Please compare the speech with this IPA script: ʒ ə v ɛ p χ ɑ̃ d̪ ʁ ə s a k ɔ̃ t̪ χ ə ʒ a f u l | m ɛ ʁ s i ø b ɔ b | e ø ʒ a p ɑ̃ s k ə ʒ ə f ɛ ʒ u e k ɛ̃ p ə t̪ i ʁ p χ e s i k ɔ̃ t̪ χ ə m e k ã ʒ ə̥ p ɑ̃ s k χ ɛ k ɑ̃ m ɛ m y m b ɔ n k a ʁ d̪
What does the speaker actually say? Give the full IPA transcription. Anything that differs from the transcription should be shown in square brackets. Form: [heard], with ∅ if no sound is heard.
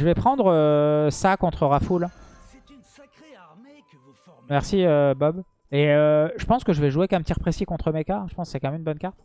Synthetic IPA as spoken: ʒ ə v ɛ p χ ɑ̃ d̪ ʁ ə s a k ɔ̃ t̪ χ ə [ʁ] a f u l | m ɛ ʁ s i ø b ɔ b | e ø ʒ [ə] p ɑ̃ s k ə ʒ ə [v] ɛ ʒ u e k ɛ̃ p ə t̪ i ʁ p χ e s i k ɔ̃ t̪ χ ə m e k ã ʒ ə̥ p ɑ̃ s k [s] ɛ k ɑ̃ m ɛ m y [n] b ɔ n k a ʁ [t̪]

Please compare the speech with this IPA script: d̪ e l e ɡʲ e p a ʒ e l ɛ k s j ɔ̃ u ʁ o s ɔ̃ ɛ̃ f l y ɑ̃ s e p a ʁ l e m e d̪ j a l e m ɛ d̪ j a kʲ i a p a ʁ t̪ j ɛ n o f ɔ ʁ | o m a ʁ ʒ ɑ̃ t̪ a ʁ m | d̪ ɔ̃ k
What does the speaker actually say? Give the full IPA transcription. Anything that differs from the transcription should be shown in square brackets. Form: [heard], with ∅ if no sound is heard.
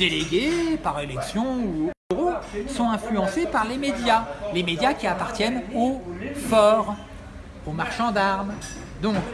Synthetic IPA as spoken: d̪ e l e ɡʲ e p a [ʁ] e l ɛ k s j ɔ̃ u ʁ o s ɔ̃ ɛ̃ f l y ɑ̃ s e p a ʁ l e m e d̪ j a l e m [e] d̪ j a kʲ i a p a ʁ t̪ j ɛ n o f ɔ ʁ | o m a ʁ [ʃ] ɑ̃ [d̪] a ʁ m | d̪ ɔ̃ k

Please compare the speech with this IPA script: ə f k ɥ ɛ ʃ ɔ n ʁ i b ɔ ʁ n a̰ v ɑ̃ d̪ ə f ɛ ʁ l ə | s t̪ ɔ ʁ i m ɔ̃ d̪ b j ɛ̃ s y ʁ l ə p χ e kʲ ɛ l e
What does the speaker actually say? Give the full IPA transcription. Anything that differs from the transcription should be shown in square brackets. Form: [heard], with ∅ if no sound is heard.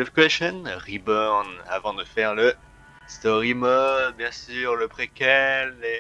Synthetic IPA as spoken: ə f k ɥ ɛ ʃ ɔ n ʁ i b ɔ ʁ n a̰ v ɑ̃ d̪ ə f ɛ ʁ l ə | s t̪ ɔ ʁ i m [ɔ] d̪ b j ɛ̃ s y ʁ l ə p χ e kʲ ɛ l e

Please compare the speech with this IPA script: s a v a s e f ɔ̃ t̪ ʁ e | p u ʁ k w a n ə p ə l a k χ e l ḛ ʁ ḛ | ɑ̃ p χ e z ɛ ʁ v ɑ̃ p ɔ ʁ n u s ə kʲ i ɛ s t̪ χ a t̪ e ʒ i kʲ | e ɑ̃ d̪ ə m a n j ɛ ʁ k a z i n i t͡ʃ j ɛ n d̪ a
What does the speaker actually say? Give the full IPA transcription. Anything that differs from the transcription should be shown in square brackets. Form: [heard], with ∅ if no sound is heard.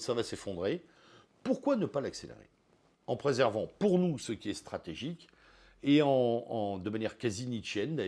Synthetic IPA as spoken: s a v a s e f ɔ̃ [d̪] ʁ e | p u ʁ k w a n ə p [a] l a k [s] e l ḛ ʁ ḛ | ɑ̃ p χ e z ɛ ʁ v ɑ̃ p [u] ʁ n u s ə kʲ i ɛ s t̪ χ a t̪ e ʒ i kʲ | e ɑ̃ d̪ ə m a n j ɛ ʁ k a z i n i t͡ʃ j ɛ n d̪ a

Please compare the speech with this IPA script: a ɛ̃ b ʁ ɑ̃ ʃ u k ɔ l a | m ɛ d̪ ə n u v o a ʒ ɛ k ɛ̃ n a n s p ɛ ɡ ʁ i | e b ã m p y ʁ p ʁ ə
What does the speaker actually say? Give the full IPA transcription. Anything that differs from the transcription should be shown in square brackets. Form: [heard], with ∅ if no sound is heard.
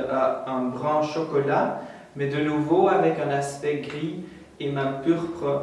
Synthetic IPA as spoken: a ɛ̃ b ʁ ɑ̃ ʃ [ɔ] k ɔ l a | m ɛ d̪ ə n u v o a [v] ɛ k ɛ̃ n a [∅] s p ɛ ɡ ʁ i | e [m] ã [∅] p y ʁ p [χ] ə

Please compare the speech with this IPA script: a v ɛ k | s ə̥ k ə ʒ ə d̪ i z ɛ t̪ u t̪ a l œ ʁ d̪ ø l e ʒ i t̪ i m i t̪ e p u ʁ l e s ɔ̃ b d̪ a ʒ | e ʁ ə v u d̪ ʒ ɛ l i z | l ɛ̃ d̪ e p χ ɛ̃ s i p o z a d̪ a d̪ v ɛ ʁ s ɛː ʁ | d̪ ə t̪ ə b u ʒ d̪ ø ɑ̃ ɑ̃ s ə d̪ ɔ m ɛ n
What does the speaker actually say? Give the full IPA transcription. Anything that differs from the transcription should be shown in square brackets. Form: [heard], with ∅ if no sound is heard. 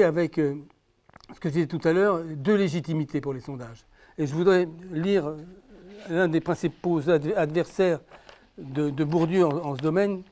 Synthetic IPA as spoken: a v ɛ k | s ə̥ k ə ʒ ə d̪ i z ɛ t̪ u t̪ a l œ ʁ d̪ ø l e ʒ i t̪ i m i t̪ e p u ʁ l e s ɔ̃ [∅] d̪ a ʒ | e [ʒ] ə v u d̪ [ʁ] ɛ l i [ʁ] | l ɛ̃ d̪ e p χ ɛ̃ s i p o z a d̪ a d̪ v ɛ ʁ s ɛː ʁ | d̪ ə [d̪] ə b u [ʁ] d̪ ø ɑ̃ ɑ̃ s ə d̪ ɔ m ɛ n

